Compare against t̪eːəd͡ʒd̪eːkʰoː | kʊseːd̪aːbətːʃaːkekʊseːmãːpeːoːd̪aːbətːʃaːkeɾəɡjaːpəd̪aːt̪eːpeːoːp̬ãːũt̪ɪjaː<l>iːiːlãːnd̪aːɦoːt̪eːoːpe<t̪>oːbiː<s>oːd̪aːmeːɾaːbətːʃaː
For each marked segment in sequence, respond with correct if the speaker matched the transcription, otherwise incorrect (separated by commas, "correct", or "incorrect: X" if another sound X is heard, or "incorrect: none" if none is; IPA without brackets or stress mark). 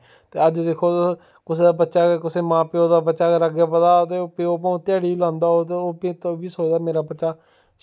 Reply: incorrect: ɽ, correct, correct